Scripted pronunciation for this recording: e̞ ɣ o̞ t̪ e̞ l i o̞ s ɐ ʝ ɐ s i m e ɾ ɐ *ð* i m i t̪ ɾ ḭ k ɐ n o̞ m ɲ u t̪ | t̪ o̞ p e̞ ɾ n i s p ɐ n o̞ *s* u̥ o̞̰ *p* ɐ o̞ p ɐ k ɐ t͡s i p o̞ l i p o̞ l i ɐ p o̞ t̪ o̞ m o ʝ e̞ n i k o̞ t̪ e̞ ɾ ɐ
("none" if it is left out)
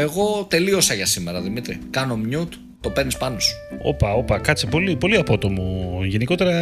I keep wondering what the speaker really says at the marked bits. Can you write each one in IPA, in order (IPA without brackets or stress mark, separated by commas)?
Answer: ð, s, p